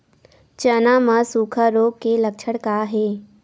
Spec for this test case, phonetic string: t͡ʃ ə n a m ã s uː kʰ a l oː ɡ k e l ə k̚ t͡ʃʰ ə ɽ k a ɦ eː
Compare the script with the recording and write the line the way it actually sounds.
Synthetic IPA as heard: t͡ʃ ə n a m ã s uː kʰ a ɾ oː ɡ k e l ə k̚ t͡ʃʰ ə ɽ k a ɦ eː